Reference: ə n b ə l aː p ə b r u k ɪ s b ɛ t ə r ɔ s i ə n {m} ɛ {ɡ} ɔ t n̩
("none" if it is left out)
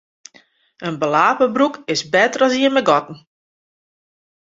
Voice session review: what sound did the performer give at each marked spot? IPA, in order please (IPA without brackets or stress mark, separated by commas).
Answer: m, ɡ